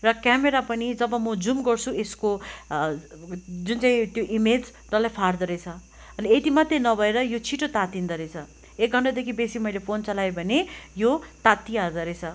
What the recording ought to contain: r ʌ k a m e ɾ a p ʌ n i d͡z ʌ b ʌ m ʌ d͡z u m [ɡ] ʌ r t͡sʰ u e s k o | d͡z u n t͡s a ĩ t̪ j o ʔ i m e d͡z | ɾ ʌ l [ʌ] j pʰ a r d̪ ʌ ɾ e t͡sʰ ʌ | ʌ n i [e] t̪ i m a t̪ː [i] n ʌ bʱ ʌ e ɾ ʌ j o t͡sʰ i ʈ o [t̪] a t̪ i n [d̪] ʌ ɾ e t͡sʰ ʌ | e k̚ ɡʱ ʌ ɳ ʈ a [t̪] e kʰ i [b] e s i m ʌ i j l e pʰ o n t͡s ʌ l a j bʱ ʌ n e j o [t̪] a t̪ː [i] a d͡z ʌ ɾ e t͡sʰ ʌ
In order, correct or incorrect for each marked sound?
correct, incorrect, correct, incorrect, correct, correct, incorrect, correct, correct, correct

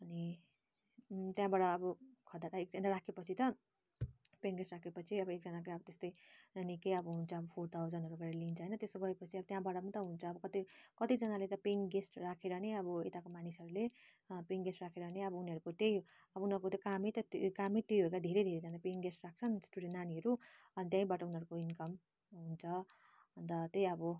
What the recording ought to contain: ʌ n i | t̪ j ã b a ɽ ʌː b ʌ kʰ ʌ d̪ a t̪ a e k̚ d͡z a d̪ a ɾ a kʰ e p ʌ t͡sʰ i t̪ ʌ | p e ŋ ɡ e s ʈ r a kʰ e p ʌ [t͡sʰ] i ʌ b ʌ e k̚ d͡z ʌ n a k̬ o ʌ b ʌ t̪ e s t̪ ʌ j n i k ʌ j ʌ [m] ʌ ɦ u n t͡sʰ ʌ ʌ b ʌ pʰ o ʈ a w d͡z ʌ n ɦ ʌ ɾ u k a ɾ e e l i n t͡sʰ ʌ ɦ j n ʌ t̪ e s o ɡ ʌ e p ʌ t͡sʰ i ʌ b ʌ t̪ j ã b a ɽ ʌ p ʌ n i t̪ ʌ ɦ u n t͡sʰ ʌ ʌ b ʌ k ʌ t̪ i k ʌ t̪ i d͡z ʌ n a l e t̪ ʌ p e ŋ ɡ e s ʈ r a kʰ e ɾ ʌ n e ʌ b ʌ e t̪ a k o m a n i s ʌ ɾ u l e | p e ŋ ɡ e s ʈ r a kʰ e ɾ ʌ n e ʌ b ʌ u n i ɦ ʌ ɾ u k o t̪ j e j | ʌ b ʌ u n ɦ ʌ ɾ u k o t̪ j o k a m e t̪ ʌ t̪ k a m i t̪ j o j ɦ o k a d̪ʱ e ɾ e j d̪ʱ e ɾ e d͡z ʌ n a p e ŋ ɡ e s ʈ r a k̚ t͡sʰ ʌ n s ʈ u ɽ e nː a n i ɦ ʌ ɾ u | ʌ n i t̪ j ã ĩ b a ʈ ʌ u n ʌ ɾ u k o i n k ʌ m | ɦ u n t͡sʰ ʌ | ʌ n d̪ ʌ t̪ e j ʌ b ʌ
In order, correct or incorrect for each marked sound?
correct, incorrect

